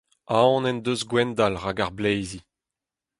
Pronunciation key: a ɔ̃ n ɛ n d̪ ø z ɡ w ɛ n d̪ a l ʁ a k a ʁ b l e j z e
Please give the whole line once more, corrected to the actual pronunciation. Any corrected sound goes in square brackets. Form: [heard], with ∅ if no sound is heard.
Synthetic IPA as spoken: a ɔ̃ n ɛ n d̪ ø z ɡ w ɛ n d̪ a l ʁ a [ɡ] a ʁ b l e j z [i]